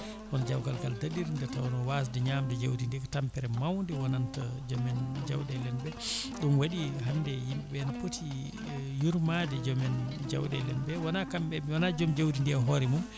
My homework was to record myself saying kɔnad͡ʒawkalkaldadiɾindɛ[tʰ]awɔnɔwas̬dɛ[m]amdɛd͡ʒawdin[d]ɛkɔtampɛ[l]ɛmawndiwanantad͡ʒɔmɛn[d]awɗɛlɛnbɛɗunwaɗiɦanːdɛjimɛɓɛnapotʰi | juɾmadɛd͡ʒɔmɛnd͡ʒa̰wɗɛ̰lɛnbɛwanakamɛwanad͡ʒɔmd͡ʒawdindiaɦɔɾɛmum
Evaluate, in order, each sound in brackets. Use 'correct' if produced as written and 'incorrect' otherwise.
incorrect, incorrect, correct, incorrect, incorrect

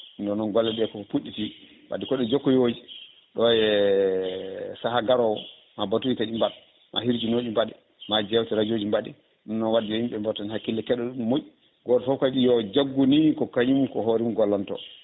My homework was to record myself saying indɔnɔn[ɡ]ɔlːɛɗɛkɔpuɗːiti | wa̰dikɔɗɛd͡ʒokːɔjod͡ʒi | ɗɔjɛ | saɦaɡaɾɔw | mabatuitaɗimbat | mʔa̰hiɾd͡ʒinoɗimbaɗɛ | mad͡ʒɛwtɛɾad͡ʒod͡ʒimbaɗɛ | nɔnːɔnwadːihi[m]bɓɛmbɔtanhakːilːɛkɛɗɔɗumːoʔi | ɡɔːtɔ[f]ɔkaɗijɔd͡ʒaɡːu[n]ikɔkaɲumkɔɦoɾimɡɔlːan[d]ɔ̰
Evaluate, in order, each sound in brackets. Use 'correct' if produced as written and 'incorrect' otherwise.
correct, correct, correct, correct, incorrect

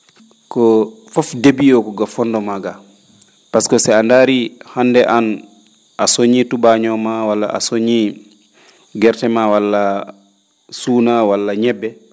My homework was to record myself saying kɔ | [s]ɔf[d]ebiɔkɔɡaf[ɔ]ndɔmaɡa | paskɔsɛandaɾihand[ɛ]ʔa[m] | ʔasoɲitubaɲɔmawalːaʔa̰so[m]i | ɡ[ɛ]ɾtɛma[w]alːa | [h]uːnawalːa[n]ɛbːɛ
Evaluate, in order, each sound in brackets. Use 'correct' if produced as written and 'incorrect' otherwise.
incorrect, correct, correct, correct, incorrect, incorrect, correct, correct, incorrect, incorrect

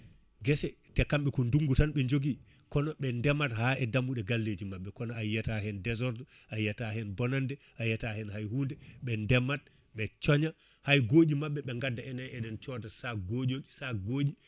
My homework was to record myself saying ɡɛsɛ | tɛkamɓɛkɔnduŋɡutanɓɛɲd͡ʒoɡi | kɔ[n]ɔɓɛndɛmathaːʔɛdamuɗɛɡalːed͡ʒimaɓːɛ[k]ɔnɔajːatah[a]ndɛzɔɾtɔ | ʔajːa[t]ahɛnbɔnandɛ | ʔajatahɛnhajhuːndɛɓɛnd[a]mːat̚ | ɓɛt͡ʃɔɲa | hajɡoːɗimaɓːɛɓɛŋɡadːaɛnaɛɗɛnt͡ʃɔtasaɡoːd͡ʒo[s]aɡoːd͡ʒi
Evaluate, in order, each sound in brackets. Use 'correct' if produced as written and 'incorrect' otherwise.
correct, correct, incorrect, correct, incorrect, correct

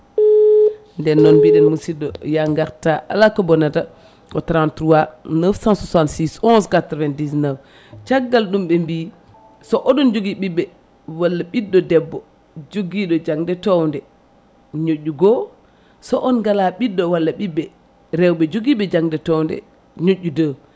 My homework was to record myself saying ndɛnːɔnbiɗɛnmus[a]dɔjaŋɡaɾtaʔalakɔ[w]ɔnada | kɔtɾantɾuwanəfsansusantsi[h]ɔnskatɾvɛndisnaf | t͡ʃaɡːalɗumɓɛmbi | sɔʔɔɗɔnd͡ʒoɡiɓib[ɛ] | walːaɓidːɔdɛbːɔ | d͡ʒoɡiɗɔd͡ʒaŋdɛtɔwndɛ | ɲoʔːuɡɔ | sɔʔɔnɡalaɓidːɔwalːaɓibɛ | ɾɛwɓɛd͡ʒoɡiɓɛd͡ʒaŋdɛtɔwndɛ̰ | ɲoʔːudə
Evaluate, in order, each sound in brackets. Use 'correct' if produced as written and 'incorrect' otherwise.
incorrect, incorrect, incorrect, correct

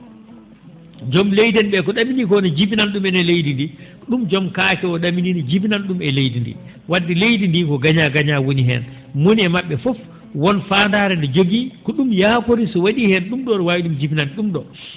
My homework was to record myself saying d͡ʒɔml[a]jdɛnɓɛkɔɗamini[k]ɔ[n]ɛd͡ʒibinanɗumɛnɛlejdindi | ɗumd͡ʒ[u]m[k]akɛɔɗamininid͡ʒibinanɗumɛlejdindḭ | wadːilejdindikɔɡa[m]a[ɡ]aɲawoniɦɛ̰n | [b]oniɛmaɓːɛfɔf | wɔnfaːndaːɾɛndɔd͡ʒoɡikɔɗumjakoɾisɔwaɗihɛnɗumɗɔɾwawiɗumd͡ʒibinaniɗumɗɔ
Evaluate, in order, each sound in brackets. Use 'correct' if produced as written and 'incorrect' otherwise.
incorrect, correct, correct, incorrect, correct, incorrect, correct, incorrect

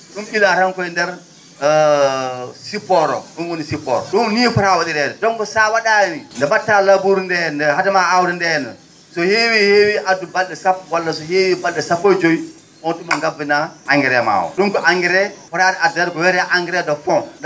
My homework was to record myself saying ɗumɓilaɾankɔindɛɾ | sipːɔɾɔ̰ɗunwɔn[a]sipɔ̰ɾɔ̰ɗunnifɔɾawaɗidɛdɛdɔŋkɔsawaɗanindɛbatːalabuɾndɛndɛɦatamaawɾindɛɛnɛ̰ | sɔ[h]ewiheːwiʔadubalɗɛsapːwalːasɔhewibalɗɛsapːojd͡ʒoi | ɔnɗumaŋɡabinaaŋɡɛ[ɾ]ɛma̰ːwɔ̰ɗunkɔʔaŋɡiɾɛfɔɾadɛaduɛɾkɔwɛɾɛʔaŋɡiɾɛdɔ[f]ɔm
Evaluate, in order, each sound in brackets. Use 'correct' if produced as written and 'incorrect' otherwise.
incorrect, correct, correct, correct

